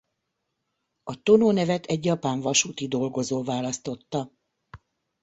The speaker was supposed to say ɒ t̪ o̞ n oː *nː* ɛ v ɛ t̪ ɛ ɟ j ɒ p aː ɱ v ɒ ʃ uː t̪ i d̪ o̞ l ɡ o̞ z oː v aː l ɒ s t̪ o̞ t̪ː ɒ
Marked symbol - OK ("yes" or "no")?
no